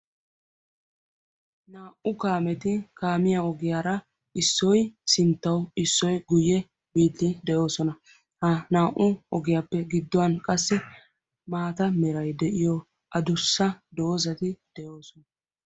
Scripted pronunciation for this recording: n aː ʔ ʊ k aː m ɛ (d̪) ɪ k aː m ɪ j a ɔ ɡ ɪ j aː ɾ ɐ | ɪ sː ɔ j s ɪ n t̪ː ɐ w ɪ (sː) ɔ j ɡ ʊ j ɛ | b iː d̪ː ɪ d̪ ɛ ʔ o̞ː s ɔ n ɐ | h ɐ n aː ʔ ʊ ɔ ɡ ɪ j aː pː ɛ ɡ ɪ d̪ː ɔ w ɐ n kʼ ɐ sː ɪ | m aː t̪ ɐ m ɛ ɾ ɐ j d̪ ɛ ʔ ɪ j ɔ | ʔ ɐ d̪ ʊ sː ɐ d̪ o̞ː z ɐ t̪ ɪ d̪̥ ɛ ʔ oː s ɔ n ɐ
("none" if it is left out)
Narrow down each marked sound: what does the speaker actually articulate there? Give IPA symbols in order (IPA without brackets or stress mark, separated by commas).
t̪, sː